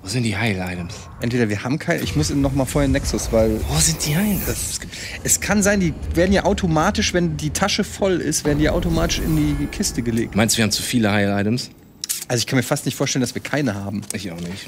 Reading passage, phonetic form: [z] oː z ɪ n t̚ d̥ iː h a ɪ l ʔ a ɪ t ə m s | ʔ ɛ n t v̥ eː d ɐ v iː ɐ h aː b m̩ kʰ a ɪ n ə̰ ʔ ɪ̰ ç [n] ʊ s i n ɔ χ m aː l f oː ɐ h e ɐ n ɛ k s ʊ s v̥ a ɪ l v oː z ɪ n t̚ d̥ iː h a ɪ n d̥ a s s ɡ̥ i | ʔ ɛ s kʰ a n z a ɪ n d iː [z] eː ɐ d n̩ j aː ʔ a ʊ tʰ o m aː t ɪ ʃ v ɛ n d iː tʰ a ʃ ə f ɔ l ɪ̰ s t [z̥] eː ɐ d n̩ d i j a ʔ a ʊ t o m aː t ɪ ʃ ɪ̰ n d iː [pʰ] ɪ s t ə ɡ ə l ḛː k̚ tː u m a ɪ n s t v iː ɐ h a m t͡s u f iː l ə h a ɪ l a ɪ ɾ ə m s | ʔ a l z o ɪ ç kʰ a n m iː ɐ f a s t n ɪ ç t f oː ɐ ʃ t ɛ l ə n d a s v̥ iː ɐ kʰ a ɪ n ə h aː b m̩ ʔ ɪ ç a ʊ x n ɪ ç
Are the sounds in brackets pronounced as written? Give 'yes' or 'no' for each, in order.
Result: no, no, no, no, no

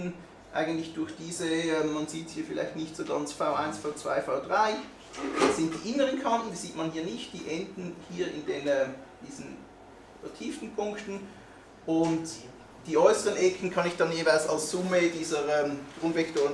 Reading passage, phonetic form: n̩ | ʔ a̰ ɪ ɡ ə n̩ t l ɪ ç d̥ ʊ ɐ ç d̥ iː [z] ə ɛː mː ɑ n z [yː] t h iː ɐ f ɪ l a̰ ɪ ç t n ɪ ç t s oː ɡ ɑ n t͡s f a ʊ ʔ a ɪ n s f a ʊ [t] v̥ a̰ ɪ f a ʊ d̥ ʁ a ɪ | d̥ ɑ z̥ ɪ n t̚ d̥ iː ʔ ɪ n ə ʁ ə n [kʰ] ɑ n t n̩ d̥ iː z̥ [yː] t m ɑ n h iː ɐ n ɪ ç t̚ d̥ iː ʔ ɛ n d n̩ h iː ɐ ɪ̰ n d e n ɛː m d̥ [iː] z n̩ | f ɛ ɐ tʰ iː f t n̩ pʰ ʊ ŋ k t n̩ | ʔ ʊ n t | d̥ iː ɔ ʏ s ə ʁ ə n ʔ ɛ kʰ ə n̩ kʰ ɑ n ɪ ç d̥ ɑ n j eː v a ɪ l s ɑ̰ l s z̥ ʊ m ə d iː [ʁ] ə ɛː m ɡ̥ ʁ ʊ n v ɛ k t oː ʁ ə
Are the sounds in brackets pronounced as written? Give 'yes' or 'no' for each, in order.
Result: yes, no, no, yes, no, yes, no

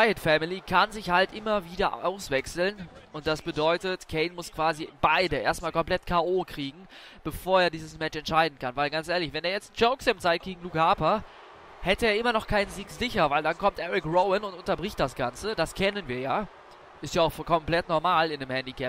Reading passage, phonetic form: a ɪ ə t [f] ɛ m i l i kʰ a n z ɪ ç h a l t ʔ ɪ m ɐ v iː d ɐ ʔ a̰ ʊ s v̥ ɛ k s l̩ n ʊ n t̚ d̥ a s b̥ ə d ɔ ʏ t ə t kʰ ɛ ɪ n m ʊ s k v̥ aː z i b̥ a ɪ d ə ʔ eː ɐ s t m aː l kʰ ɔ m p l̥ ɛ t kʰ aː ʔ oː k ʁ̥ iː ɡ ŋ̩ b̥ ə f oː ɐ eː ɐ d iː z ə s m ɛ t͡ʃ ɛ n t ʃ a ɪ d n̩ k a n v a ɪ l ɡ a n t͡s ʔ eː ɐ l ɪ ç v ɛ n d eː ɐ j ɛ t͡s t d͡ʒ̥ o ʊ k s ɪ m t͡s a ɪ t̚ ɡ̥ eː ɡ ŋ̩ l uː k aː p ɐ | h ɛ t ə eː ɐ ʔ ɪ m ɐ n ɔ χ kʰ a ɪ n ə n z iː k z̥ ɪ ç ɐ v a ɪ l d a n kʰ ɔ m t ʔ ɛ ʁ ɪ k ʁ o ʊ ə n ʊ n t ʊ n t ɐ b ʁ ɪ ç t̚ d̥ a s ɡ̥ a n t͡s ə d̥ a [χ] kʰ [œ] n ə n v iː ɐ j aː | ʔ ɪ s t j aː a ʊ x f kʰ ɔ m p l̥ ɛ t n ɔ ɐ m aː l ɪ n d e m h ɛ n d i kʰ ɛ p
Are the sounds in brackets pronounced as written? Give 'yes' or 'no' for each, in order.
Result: yes, no, no

